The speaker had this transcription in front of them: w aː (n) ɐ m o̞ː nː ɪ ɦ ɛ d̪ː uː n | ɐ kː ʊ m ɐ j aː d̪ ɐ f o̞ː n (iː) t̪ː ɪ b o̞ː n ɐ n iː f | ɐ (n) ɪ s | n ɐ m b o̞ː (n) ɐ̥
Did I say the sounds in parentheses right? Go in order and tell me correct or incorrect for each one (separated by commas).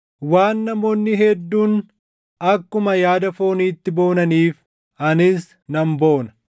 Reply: incorrect, correct, correct, correct